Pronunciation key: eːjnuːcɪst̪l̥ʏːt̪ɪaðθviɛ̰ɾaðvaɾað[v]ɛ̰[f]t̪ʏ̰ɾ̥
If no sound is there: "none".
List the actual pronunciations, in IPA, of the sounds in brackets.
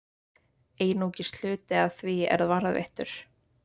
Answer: v, h

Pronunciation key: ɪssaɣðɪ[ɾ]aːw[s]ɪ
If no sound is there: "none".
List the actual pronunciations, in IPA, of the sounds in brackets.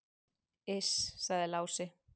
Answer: l, s

